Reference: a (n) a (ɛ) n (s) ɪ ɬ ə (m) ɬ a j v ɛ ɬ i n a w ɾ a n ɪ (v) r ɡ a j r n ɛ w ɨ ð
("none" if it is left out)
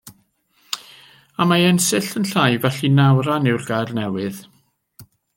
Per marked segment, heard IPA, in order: m, ɛ, s, n, w

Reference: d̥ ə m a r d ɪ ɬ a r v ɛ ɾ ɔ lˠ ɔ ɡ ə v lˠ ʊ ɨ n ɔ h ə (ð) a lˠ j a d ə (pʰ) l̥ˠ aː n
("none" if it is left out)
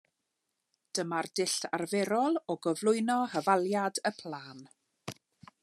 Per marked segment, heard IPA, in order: v, pʰ

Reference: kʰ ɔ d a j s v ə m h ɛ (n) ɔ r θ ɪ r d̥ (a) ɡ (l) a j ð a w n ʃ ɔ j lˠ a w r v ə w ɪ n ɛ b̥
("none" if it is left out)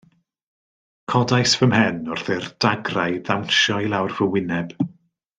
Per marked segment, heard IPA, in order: n, a, r

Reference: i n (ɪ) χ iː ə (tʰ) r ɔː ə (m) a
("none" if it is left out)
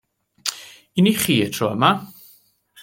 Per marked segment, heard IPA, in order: i, tʰ, m

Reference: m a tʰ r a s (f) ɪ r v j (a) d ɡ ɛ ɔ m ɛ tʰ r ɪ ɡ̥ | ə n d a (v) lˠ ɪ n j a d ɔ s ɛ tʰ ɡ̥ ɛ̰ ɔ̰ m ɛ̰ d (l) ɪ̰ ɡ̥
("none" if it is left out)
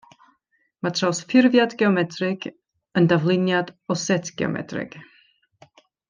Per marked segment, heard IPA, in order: f, a, v, r

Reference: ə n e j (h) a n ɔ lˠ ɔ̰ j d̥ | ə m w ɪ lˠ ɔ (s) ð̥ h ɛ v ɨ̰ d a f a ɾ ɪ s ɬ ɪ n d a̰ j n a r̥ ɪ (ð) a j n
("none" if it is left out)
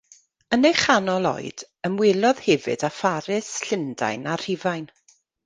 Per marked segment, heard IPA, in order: χ, none, v

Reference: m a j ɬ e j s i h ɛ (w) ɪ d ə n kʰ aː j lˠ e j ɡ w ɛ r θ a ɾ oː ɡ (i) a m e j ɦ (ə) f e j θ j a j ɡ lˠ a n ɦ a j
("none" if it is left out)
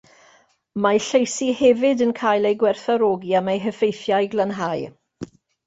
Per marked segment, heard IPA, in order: v, i, ə

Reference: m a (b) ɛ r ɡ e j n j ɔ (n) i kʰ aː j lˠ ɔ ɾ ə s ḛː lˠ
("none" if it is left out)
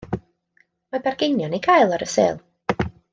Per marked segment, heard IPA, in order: b, n

